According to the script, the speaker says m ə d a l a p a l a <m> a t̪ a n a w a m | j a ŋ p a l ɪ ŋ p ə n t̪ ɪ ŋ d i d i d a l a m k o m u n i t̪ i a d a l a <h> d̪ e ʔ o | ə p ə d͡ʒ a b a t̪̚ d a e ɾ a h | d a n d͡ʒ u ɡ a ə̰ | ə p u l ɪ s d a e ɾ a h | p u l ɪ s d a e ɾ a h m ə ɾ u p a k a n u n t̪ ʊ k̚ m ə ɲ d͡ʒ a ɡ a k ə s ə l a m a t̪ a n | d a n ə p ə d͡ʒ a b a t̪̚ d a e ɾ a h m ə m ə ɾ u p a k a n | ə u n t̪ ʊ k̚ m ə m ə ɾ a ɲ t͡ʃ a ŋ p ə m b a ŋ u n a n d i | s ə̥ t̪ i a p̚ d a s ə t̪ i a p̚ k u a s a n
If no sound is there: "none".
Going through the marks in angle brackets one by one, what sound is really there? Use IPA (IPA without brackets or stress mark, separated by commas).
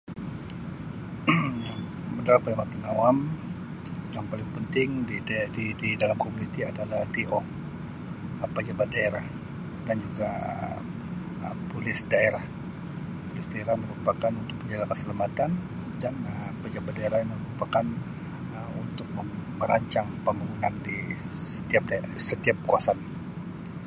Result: m, h